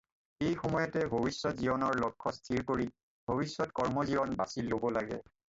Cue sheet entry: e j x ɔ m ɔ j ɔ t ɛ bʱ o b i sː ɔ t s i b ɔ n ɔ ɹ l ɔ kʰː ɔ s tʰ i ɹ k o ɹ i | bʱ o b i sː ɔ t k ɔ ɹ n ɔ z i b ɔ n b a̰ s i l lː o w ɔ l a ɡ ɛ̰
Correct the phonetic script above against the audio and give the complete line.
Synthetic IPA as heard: e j x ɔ m ɔ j ɔ t ɛ bʱ o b i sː ɔ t z i b ɔ n ɔ ɹ l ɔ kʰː ɔ s tʰ i ɹ k o ɹ i | bʱ o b i sː ɔ t k ɔ ɹ m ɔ z i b ɔ n b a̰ s i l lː o b ɔ l a ɡ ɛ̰